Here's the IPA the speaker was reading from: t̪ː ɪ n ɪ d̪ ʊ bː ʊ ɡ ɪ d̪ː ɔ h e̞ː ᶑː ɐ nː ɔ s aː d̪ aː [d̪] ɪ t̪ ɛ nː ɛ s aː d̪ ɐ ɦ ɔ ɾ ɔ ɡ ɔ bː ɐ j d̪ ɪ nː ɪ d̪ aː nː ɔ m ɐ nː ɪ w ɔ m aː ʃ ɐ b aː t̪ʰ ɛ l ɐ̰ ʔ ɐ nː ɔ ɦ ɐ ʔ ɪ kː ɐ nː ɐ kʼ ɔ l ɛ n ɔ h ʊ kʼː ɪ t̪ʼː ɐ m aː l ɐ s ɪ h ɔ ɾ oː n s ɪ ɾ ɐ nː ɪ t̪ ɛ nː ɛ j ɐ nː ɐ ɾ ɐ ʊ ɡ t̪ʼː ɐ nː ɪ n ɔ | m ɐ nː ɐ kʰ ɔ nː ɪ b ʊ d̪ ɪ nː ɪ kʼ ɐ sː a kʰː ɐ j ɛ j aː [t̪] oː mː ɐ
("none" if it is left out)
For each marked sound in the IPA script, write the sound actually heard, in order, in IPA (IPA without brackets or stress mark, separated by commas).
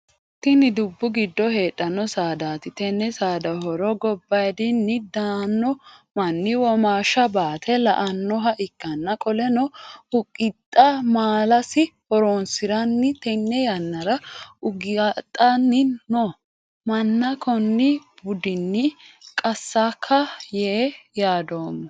t̪, d̪